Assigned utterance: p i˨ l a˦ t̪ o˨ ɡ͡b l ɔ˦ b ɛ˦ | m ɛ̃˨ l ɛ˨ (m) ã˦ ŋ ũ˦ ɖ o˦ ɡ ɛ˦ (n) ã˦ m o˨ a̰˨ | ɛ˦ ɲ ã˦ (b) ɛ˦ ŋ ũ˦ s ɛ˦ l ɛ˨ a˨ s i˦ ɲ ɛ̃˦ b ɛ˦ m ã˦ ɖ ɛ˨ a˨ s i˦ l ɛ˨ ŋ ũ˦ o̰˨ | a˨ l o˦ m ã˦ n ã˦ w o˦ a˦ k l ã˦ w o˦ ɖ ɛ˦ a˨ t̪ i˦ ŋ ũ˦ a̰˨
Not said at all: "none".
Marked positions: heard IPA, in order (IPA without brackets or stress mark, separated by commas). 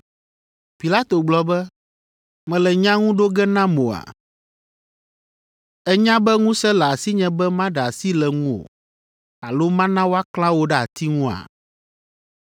ɲ, n, b